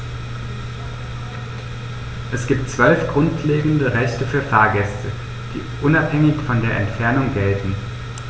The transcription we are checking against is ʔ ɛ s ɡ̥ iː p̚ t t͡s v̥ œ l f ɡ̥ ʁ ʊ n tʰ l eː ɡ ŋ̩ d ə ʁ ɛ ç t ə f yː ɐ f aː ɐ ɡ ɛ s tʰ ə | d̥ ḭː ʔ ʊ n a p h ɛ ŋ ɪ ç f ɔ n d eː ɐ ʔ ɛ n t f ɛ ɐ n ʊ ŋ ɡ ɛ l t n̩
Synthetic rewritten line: ʔ ɛ s ɡ̥ iː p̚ t t͡s v̥ œ l f ɡ̥ ʁ ʊ n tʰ l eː ɡ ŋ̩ d ə ʁ ɛ ç t ə f yː ɐ f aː ɐ ɡ ɛ s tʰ ə | d̥ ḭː ʔ ʊ n a p h ɛ ŋ ɪ ç f ɔ n d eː ɐ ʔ ɛ n t f ɛ ɐ n ʊ ŋ ɡ ɛ l t n̩

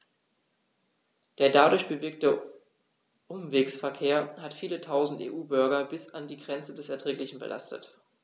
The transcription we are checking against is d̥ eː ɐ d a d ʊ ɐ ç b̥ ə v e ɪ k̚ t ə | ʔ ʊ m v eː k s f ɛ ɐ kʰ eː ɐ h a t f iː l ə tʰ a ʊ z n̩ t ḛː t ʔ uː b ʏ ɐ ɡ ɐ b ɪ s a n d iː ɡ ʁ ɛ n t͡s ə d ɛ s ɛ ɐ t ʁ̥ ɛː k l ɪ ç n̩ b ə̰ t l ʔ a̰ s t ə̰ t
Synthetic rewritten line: d̥ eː ɐ d a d ʊ ɐ ç b̥ ə v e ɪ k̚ t ə | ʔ ʊ m v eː k s f ɛ ɐ kʰ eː ɐ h a t f iː l ə tʰ a ʊ z n̩ t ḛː ʔ uː b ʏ ɐ ɡ ɐ b ɪ s a n d iː ɡ ʁ ɛ n t͡s ə d ɛ s ɛ ɐ t ʁ̥ ɛː k l ɪ ç n̩ b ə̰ l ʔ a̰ s t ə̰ t

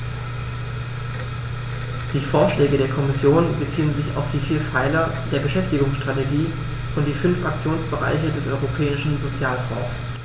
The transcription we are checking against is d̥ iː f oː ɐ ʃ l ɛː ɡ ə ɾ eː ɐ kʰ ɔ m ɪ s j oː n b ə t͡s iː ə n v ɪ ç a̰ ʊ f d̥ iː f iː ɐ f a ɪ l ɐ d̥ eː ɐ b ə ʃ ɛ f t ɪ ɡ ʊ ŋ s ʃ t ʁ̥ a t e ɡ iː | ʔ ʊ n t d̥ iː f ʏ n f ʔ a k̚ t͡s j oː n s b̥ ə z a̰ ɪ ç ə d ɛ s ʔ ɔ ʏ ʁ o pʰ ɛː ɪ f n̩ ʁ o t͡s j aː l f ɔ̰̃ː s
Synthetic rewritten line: d̥ iː f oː ɐ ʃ l ɛː ɡ ə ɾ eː ɐ kʰ ɔ m ɪ s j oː n b ə t͡s iː ə n z ɪ ç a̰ ʊ f d̥ iː f iː ɐ f a ɪ l ɐ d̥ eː ɐ b ə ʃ ɛ f t ɪ ɡ ʊ ŋ s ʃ t ʁ̥ a t e ɡ iː | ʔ ʊ n t d̥ iː f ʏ n f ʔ a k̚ t͡s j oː n s b̥ ə ʁ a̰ ɪ ç ə d ɛ s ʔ ɔ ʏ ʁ o pʰ ɛː ɪ ʃ n̩ z o t͡s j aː l f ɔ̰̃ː s

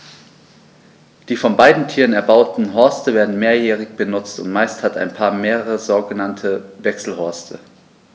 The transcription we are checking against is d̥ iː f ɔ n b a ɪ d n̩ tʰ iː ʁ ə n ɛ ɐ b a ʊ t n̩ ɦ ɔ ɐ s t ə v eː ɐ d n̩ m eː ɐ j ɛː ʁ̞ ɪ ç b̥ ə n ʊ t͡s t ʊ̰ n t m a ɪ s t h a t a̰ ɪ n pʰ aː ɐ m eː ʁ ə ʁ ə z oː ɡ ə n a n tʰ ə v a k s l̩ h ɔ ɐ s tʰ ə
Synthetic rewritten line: d̥ iː f ɔ n b a ɪ d n̩ tʰ iː ʁ ə n ɛ ɐ b a ʊ t n̩ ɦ ɔ ɐ s t ə v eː ɐ d n̩ m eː ɐ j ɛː ʁ̞ ɪ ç b̥ ə n ʊ t͡s t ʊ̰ n t m a ɪ s t h a t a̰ ɪ n pʰ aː ɐ m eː ʁ ə ʁ ə z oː ɡ ə n a n tʰ ə v ɛ k s l̩ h ɔ ɐ s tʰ ə

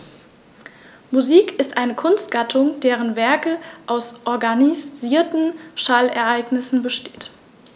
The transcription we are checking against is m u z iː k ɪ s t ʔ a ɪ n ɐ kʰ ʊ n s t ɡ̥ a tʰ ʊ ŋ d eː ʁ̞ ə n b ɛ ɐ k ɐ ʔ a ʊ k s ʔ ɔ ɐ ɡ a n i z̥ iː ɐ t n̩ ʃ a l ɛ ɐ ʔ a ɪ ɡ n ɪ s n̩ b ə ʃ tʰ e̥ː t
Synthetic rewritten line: m u z iː k ɪ s t ʔ a ɪ n ə kʰ ʊ n s t ɡ̥ a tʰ ʊ ŋ d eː ʁ̞ ə n v ɛ ɐ k ə ʔ a ʊ s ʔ ɔ ɐ ɡ a n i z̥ iː ɐ t n̩ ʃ a l ɛ ɐ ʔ a ɪ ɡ n ɪ s n̩ b ə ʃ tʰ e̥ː t

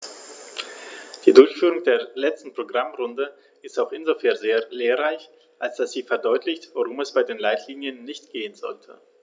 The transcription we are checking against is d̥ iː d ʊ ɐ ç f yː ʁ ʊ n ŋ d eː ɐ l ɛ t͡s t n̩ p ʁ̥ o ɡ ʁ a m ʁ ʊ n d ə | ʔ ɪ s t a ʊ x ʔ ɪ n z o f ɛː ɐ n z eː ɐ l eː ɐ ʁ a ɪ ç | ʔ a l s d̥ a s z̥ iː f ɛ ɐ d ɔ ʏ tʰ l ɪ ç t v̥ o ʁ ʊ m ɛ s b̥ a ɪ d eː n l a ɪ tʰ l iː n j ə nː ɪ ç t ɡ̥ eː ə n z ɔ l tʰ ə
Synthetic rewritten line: d̥ iː d ʊ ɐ ç f yː ʁ ʊ ŋ d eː ɐ l ɛ t͡s t n̩ p ʁ̥ o ɡ ʁ a m ʁ ʊ n d ə | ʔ ɪ s t a ʊ x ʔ ɪ n z o f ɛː ɐ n z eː ɐ l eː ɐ ʁ a ɪ ç | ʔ a l s d̥ a s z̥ iː f ɛ ɐ d ɔ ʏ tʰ l ɪ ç t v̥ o ʁ ʊ m ɛ s b̥ a ɪ d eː n l a ɪ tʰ l iː n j ə nː ɪ ç t ɡ̥ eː ə n z ɔ l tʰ ə

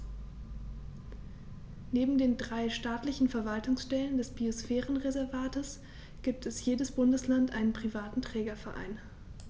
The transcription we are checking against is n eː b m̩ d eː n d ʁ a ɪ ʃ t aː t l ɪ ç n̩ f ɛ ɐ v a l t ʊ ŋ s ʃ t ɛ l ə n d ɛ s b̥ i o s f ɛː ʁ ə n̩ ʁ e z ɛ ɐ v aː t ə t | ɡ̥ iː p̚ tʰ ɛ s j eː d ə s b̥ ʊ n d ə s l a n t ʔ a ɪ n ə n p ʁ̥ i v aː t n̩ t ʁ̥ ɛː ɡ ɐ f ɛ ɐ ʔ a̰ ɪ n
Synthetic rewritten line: n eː b m̩ d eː n d ʁ a ɪ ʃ t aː t l ɪ ç n̩ f ɛ ɐ v a l t ʊ ŋ s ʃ t ɛ l ə n d ɛ s b̥ i o s f ɛː ʁ ə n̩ ʁ e z ɛ ɐ v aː t ə s | ɡ̥ iː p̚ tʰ ɛ s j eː d ə s b̥ ʊ n d ə s l a n t ʔ a ɪ n ə n p ʁ̥ i v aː t n̩ t ʁ̥ ɛː ɡ ɐ f ɛ ɐ ʔ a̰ ɪ n

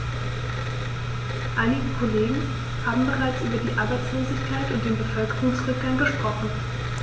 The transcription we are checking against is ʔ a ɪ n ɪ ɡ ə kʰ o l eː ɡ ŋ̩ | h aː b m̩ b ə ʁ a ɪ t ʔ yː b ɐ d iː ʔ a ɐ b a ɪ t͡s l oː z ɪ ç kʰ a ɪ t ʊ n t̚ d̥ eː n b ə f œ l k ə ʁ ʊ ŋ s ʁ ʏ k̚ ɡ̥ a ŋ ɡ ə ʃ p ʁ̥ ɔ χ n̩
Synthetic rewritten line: ʔ a ɪ n ɪ ɡ ə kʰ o l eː ɡ ŋ̩ | h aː b m̩ b ə ʁ a ɪ t͡s ʔ yː b ɐ d iː ʔ a ɐ b a ɪ t͡s l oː z ɪ ç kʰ a ɪ t ʊ n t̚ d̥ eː n b ə f œ l k ə ʁ ʊ ŋ s ʁ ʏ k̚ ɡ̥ a ŋ ɡ ə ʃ p ʁ̥ ɔ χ n̩

